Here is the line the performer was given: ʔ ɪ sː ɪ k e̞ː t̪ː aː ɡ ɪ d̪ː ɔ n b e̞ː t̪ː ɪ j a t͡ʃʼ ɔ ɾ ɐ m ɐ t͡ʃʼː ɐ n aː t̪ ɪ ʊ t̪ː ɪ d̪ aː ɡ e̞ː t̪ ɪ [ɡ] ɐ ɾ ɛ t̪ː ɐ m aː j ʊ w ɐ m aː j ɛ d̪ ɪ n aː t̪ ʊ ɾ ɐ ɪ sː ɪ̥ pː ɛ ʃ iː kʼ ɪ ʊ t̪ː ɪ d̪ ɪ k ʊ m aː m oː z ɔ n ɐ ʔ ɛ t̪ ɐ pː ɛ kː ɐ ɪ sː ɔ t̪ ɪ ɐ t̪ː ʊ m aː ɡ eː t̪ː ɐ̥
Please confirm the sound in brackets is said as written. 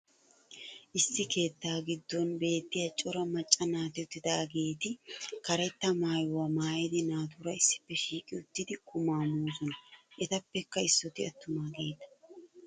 no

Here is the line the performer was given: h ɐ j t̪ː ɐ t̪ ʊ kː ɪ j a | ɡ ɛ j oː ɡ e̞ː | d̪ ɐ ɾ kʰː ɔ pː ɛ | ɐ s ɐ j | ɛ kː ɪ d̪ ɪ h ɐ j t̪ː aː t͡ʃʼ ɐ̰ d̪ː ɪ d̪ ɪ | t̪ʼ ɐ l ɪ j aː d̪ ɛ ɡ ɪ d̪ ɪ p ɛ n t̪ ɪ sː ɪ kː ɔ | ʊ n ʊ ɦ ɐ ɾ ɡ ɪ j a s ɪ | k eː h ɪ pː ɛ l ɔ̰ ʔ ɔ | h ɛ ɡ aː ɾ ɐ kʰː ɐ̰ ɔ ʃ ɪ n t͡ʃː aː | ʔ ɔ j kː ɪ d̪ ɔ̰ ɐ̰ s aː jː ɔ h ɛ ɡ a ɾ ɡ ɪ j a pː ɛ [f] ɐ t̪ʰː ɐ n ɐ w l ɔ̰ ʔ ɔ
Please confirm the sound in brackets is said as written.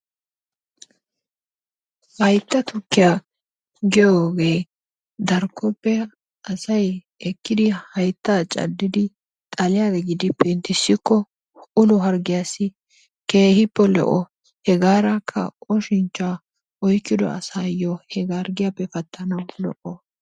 yes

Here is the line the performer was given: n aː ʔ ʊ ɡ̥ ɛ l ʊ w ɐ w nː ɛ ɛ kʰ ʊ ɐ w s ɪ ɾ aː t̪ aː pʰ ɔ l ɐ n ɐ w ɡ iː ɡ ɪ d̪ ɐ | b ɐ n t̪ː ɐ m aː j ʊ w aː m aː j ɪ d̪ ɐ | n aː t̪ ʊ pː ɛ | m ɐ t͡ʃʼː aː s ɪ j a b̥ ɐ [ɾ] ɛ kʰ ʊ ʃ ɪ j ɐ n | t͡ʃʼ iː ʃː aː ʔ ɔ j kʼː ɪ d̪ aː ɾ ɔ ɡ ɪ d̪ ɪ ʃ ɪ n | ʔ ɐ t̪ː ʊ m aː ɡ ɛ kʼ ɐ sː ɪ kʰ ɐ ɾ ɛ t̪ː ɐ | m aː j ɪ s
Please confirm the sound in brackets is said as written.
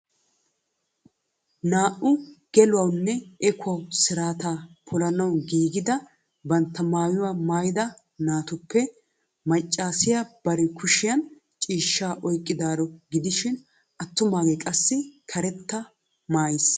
yes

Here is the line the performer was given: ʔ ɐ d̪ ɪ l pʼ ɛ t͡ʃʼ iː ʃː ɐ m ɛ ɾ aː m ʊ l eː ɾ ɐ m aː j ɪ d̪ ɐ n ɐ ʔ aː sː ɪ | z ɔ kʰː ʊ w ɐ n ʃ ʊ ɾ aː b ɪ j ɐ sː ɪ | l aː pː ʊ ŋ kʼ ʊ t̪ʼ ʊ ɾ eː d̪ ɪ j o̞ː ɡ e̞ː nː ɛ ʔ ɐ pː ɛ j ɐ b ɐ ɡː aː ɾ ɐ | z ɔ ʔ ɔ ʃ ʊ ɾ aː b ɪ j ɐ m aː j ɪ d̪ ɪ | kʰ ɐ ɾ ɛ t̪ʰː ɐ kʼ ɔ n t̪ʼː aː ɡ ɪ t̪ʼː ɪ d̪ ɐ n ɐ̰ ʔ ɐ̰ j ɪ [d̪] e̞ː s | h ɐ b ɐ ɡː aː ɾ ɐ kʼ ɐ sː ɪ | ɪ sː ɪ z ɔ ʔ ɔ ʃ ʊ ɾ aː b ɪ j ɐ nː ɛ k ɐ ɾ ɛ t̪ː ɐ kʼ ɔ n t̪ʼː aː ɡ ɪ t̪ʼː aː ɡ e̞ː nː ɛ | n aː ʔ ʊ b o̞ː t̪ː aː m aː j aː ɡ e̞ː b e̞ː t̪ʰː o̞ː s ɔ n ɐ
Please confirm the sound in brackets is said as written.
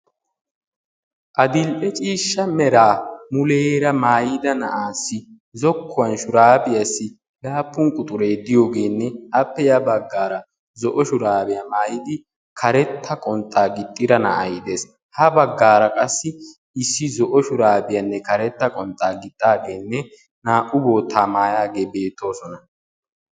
yes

